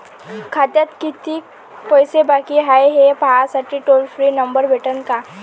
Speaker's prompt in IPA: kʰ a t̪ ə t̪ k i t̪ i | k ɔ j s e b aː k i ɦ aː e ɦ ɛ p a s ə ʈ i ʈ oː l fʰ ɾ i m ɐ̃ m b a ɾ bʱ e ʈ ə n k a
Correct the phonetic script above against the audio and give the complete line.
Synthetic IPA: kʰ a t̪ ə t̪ k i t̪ i | p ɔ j s e b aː k i ɦ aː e ɦ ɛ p a s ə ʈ i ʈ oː l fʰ ɾ i n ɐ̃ m b ə ɾ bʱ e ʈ ə n k a

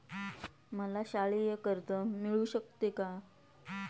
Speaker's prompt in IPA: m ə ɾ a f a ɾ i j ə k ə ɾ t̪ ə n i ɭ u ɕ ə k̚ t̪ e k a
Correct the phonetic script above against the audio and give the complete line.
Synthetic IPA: m ə l a ɕ a ɭ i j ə k ə ɾ t̪ ə m i ɭ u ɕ ə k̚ t̪ e k a

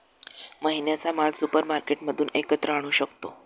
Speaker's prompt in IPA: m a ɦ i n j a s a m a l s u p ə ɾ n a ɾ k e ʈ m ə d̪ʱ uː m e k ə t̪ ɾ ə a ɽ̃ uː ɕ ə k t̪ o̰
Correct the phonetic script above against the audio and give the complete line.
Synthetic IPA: m ə ɦ i n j a t͡s a m a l s u p ə ɾ m a ɾ k e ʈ m ə d̪ʱ uː n e k ə t̪ ɾ ə a ɽ̃ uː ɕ ə k t̪ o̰

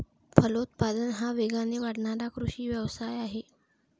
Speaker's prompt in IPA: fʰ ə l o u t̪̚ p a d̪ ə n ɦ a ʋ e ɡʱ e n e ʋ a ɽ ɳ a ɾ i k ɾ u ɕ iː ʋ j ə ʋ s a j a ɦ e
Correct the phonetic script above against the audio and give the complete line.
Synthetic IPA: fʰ ə l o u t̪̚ p a d̪ ə n ɦ a ʋ e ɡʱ a n e ʋ a ɽ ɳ a ɾ a k ɾ u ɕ iː ʋ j ə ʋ s a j a ɦ e

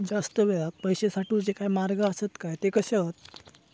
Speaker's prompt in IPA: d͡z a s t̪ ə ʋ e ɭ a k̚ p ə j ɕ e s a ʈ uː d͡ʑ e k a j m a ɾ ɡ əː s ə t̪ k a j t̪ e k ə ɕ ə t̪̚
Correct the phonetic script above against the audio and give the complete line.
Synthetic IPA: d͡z a s t̪ ə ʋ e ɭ a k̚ p ə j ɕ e s a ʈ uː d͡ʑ e k a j m a ɾ ɡ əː s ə t̪ k a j t̪ e k ə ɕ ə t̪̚

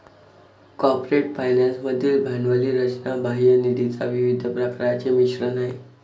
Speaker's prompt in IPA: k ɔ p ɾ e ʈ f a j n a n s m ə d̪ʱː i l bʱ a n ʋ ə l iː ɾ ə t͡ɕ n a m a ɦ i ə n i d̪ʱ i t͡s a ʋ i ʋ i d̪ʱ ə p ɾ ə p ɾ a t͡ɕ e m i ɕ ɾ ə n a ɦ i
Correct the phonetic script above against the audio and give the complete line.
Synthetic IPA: k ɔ p ɾ e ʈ f a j n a n s m ə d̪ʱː iː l bʱ a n ʋ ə l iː ɾ ə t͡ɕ n a b a ɦ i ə n i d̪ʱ i t͡s a ʋ i ʋ i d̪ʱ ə p ɾ ə k ɾ a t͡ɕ e m i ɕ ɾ ə n a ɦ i

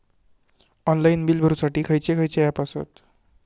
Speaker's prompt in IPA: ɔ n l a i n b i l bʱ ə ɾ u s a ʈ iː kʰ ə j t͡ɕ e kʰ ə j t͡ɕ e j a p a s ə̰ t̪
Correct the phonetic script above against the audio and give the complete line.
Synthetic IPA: ɔ n l a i n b i l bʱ ə ɾ u s a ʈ iː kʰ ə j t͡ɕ e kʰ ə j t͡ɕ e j a p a s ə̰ t̪

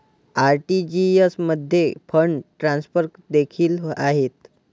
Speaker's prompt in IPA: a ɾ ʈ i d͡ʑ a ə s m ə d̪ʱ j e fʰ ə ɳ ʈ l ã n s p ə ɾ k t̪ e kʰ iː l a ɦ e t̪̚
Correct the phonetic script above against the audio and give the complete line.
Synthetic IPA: a ɾ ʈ i d͡ʑ i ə s m ə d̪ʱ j e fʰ ə ɳ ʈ ɾ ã n s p ə ɾ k d̪ e kʰ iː l a ɦ e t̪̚

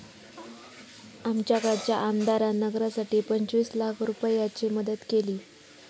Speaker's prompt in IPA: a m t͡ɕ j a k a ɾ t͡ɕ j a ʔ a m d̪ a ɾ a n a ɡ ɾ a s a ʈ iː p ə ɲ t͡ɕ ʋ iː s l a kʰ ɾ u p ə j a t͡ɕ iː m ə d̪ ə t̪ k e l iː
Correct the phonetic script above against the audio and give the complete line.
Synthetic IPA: a m t͡ɕ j a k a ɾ t͡ɕ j a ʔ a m d̪ a ɾ a n ə ɡ ɾ a s a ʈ iː p ə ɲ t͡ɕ ʋ iː s l a kʰ ɾ u p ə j a t͡ɕ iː m ə d̪ ə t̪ k e l iː

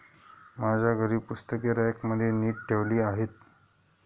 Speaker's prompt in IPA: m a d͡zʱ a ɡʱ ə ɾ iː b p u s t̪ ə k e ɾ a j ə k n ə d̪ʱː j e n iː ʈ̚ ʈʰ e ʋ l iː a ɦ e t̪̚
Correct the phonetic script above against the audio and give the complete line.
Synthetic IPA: m a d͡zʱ a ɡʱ ə ɾ iː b p u s t̪ ə k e ɾ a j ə k m ə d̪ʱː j e n iː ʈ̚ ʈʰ e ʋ l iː a ɦ e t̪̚

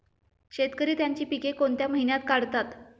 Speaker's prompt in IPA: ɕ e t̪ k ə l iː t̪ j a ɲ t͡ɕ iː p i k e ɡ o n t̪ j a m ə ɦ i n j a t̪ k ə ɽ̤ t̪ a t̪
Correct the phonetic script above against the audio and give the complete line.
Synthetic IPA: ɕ e t̪ k ə ɾ iː t̪ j a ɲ t͡ɕ iː p i k e k o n t̪ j a m ə ɦ i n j a t̪ k a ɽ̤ t̪ a t̪

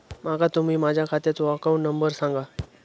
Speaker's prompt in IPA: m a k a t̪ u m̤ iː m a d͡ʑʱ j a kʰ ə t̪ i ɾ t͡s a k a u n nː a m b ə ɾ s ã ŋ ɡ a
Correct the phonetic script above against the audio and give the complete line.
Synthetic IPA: m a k a t̪ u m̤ iː m a d͡ʑʱ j a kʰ a t̪ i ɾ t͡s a k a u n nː ə m b ə ɾ s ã ŋ ɡ a

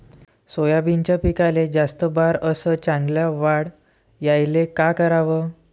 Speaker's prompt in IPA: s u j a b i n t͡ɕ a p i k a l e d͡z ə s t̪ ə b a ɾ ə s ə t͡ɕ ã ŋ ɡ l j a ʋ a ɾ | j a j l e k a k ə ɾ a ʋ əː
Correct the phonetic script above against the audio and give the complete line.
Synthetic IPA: s o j a b i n t͡ɕ a p i k a l e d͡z a s t̪ ə b a ɾ ə s ə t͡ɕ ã ŋ ɡ l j a ʋ a ɽ | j a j l e k a k ə ɾ a ʋ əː

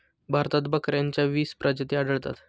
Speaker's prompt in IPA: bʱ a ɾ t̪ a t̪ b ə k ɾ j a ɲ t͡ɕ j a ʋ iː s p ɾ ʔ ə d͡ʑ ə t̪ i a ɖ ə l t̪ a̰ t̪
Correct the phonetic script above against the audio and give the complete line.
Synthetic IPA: bʱ a ɾ t̪ a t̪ b ə k ɾ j a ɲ t͡ɕ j a ʋ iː s p ɾ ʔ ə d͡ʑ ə t̪ i a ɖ ə ɭ t̪ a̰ t̪

